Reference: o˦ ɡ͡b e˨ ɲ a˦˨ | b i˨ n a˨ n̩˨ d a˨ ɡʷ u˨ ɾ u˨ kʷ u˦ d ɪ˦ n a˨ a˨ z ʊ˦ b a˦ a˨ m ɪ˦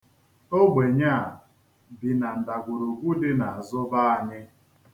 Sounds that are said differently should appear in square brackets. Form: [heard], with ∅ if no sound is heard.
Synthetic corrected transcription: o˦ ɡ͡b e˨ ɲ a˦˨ | b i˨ n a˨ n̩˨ d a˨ ɡʷ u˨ ɾ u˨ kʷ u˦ d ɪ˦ n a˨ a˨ z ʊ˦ b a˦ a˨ [ɲ] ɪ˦